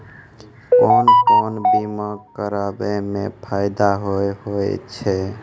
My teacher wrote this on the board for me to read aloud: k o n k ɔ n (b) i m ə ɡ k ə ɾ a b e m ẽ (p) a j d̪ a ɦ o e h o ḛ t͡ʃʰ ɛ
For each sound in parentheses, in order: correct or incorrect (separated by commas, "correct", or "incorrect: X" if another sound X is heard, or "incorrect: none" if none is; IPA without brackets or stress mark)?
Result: correct, incorrect: pʰ